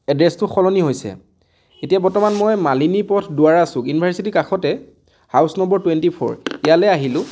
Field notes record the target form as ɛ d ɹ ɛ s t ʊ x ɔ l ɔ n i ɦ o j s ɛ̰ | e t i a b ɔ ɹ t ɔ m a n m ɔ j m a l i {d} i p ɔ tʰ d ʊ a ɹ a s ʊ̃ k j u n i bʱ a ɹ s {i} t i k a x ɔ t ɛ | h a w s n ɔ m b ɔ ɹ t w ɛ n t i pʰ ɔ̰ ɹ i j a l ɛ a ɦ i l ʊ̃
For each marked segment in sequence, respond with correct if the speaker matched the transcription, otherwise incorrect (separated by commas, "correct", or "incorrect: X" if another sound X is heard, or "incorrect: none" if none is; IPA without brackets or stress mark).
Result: incorrect: n, correct